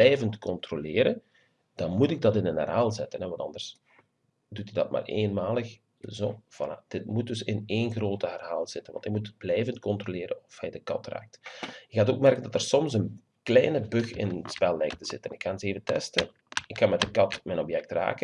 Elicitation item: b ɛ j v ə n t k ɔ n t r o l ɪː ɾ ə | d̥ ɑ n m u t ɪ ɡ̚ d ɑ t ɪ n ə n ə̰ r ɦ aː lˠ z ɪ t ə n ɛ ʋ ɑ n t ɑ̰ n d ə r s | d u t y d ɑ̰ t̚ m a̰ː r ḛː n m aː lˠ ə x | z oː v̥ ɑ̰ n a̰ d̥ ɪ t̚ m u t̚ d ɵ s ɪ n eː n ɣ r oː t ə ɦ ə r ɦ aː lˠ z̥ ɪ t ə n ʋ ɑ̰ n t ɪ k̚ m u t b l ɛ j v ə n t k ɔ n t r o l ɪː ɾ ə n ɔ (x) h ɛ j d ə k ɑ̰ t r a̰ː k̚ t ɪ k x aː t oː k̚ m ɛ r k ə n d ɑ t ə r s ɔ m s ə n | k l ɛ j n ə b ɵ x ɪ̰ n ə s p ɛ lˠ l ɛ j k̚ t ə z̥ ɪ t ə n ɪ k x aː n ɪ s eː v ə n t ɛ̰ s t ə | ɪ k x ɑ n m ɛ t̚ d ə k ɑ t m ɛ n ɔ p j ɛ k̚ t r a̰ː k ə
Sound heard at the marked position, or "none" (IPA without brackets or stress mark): f